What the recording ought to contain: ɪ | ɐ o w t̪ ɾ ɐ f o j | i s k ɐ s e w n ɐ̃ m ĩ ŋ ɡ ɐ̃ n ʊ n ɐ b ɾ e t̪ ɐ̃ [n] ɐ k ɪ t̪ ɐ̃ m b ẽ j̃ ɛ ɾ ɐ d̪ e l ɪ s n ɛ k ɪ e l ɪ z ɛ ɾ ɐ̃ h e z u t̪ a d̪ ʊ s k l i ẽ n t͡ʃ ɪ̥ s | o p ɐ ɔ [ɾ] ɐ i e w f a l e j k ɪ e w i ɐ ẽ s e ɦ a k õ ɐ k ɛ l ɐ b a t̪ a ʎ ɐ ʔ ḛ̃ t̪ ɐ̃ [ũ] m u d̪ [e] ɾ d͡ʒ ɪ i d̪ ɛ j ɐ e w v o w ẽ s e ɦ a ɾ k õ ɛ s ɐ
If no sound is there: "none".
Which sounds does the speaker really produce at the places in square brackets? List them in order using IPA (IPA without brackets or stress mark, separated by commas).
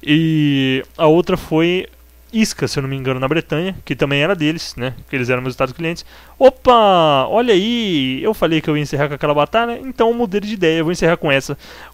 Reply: ɲ, ʎ, w̃, e